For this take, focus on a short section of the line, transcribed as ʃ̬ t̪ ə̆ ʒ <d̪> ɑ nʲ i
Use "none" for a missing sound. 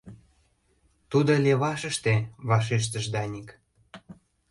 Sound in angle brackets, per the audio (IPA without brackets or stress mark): d̪